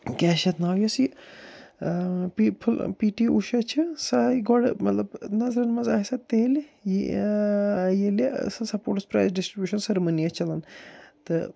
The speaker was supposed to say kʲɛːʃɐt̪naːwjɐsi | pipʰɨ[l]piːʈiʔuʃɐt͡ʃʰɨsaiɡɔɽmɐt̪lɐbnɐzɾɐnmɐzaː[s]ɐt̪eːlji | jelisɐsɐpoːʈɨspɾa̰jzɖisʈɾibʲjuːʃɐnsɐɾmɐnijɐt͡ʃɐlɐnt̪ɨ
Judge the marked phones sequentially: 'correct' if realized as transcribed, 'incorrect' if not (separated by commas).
correct, correct